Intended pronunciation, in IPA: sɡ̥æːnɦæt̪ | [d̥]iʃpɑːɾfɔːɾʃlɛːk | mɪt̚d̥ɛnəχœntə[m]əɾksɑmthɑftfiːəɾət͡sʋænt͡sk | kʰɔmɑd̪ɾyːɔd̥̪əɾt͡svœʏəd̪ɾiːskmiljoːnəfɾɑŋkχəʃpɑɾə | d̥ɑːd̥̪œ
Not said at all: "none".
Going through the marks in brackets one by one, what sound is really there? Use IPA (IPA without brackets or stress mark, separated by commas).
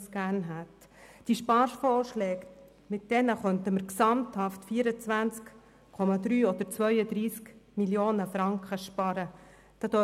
d̥, m